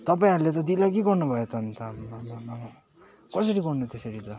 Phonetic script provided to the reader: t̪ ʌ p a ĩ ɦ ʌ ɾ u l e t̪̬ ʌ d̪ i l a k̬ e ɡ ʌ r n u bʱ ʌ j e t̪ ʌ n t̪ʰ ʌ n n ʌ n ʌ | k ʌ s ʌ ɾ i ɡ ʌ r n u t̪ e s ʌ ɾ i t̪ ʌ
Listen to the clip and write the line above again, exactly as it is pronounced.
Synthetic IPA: t̪ ʌ p a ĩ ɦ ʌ ɾ u l e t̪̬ ʌ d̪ i l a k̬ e ɡ ʌ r n u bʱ ʌ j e t̪ ʌ n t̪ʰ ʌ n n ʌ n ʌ | k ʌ s ʌ ɾ i ɡ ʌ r n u t̪ e s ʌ ɾ i t̪ ʌ